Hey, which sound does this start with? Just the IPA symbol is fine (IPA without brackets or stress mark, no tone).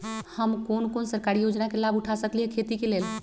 h